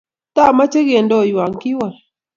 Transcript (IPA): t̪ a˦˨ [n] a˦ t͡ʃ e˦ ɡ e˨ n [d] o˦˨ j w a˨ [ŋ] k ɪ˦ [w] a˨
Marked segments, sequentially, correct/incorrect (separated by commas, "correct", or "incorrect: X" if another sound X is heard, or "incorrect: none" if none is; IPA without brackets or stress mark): incorrect: m, correct, correct, correct